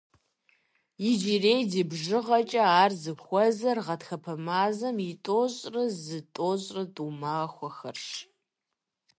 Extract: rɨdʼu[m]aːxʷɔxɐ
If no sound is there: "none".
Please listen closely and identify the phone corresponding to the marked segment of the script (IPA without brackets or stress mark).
m